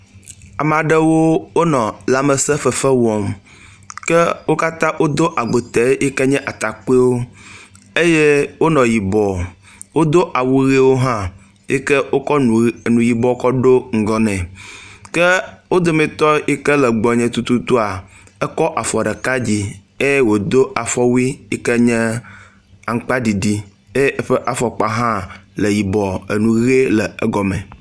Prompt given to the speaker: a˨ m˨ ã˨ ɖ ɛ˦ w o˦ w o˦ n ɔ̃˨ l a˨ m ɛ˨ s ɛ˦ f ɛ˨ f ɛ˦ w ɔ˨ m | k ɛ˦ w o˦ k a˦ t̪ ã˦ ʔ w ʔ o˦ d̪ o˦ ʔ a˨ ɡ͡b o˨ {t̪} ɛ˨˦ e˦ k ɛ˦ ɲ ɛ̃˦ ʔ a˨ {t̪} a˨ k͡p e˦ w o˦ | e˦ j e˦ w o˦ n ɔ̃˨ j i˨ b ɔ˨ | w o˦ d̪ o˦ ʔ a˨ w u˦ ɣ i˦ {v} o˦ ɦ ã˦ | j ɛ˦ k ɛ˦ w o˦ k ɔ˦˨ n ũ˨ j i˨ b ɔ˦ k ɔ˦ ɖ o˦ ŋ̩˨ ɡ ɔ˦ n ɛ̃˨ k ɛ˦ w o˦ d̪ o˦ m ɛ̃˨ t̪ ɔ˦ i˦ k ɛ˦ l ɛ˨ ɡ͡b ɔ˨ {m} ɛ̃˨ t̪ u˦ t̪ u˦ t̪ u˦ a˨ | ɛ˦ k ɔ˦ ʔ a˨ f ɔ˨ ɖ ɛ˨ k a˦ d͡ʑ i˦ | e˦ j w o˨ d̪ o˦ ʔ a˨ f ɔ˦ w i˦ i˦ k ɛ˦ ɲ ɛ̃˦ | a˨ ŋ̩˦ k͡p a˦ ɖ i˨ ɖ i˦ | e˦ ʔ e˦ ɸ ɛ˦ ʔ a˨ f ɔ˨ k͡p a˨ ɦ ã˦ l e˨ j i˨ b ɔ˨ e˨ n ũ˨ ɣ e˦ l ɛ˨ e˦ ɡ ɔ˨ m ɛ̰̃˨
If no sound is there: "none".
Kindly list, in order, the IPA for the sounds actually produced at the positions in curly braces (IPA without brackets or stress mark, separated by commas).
t̪, t̪, w, ɲ